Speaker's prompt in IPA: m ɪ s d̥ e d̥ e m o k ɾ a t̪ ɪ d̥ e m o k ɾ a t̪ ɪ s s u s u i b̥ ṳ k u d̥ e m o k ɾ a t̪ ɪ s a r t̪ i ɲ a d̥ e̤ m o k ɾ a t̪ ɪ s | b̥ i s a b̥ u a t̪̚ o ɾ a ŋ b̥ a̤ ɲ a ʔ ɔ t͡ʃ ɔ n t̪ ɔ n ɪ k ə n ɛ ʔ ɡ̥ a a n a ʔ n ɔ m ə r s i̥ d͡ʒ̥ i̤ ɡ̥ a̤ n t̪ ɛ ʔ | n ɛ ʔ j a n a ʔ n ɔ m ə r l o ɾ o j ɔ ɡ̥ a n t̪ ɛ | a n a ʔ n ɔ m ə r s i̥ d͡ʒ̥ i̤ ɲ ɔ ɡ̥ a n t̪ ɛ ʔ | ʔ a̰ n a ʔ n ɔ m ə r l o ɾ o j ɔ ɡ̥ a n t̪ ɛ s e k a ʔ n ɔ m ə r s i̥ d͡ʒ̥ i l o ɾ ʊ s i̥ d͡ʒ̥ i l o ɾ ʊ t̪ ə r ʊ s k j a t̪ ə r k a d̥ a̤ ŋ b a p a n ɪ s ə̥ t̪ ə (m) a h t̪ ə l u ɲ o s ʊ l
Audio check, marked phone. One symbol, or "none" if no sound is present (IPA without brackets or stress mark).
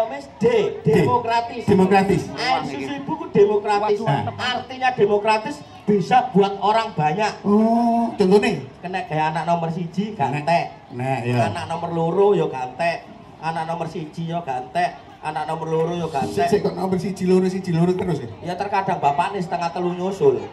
ŋ